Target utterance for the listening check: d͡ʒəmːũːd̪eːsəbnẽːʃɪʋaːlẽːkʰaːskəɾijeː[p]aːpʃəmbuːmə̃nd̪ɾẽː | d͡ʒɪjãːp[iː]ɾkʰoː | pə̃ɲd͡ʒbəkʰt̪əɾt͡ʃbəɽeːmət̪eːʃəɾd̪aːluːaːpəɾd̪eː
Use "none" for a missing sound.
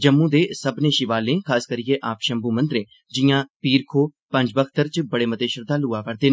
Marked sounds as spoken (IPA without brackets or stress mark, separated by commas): ʔ, iː